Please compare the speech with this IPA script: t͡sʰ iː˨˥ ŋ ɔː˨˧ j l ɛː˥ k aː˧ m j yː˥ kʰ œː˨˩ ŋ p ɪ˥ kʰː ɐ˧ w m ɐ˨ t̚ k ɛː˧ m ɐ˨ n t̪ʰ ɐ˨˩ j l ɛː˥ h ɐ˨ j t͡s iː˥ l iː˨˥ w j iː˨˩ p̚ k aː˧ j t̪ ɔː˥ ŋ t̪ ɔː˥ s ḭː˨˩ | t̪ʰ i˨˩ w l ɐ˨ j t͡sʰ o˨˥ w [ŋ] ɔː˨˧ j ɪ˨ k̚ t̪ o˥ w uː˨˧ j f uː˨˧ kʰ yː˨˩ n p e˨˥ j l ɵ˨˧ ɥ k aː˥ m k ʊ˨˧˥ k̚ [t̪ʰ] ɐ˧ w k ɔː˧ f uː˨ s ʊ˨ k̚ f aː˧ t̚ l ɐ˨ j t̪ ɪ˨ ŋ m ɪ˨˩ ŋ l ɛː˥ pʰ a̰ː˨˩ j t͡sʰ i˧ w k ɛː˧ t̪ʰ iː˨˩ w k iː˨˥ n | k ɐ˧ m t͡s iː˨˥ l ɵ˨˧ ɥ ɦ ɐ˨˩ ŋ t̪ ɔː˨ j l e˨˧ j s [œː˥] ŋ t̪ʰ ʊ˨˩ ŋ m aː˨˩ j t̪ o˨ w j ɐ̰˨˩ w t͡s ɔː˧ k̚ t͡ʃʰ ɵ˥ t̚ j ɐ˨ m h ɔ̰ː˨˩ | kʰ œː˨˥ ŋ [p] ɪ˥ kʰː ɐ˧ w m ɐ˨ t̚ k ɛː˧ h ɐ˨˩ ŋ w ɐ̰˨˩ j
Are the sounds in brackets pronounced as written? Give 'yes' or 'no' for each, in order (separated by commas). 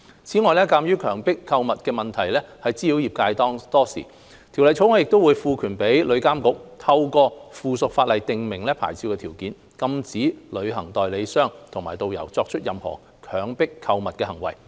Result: yes, yes, yes, yes